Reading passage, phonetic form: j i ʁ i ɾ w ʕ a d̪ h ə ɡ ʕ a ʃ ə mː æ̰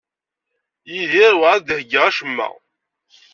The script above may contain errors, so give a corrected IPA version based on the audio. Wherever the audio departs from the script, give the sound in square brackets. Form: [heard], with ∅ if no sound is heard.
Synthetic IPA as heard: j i [ð] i ɾ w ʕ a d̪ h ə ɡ [ʁ] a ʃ ə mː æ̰